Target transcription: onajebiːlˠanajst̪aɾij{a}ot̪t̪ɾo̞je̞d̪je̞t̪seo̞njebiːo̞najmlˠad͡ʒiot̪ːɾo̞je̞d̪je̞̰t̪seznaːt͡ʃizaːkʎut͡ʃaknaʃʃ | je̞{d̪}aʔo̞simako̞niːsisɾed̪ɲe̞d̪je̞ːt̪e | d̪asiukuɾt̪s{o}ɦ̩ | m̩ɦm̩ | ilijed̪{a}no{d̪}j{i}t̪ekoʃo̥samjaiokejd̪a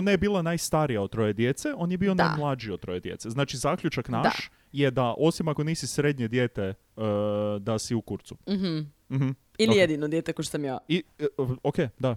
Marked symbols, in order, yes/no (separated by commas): yes, yes, no, no, yes, no